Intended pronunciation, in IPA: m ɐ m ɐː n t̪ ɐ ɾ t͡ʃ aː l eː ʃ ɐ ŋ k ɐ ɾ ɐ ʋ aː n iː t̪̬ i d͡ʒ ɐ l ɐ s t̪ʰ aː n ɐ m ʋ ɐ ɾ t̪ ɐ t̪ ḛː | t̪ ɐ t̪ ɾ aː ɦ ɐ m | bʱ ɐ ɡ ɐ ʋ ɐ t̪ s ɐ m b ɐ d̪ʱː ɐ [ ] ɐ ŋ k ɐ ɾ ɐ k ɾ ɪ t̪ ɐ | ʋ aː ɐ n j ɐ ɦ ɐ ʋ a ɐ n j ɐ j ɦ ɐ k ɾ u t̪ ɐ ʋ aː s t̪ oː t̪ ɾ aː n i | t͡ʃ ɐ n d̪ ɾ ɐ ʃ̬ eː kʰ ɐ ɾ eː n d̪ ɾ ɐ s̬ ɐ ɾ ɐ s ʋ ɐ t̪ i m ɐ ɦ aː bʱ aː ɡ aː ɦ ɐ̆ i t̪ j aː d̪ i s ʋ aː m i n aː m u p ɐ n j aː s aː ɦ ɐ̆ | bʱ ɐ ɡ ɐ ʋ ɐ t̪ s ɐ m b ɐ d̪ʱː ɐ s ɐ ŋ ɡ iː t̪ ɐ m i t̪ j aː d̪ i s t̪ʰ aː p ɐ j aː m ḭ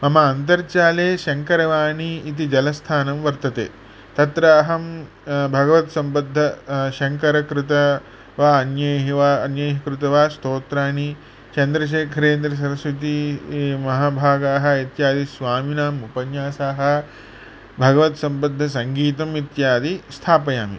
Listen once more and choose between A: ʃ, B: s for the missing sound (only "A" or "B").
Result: A